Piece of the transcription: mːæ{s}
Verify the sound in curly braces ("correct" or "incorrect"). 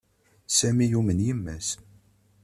correct